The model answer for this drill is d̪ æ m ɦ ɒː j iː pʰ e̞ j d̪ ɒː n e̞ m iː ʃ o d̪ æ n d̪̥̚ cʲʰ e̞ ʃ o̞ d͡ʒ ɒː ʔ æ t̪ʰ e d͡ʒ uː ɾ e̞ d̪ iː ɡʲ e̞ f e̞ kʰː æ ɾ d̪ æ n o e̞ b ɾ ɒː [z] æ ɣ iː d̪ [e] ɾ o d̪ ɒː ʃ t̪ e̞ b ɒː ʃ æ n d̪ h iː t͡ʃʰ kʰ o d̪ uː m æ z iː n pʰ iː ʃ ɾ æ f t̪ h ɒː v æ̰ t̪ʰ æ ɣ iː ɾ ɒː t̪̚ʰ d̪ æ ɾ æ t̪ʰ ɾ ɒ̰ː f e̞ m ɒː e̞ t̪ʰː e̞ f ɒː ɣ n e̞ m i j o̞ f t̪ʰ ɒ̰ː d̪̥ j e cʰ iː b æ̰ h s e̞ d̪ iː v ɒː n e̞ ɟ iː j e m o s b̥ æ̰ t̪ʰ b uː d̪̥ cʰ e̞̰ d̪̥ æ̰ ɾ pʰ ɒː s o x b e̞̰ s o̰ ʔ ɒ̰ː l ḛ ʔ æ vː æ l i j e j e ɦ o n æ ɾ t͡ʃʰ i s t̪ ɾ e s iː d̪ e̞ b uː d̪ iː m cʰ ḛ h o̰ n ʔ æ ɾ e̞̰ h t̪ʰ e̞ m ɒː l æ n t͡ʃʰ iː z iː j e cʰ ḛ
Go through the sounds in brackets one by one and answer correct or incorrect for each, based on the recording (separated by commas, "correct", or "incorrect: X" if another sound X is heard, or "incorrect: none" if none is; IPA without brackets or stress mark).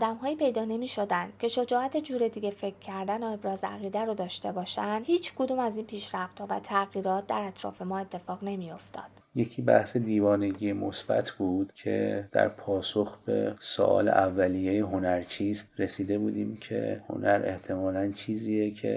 correct, incorrect: æ